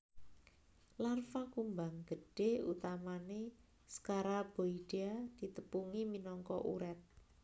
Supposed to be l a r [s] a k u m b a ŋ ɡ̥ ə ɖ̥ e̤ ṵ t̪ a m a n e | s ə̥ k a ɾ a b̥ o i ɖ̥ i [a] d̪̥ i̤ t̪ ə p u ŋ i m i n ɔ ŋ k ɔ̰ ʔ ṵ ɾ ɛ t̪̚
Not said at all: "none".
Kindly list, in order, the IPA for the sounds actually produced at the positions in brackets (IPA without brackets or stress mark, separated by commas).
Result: f, a